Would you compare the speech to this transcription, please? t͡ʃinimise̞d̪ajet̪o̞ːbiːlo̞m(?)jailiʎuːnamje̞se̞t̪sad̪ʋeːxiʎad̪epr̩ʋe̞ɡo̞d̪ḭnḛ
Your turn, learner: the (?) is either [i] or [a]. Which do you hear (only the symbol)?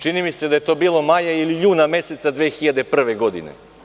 a